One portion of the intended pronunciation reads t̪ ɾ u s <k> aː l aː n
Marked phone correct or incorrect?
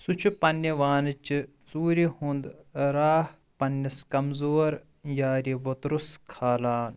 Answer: incorrect